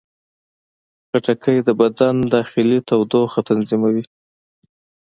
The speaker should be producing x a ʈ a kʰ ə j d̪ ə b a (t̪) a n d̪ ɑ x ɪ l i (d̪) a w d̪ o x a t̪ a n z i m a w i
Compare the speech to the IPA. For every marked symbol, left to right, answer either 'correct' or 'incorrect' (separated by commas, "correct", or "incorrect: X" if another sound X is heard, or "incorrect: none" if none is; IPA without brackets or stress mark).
incorrect: d̪, incorrect: t̪